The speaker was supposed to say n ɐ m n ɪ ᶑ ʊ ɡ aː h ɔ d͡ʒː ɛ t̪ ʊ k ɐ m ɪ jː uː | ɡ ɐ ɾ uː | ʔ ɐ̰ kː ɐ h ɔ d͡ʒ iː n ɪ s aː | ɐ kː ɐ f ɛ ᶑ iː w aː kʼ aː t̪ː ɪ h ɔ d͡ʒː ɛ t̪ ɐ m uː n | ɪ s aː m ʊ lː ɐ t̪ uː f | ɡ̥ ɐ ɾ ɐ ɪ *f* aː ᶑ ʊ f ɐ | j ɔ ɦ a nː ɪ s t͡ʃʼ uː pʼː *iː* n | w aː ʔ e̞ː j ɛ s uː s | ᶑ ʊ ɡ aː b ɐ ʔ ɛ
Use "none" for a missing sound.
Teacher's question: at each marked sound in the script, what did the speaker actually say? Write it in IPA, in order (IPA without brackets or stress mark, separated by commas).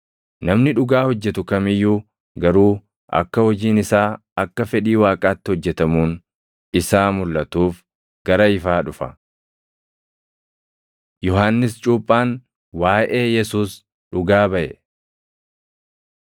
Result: f, aː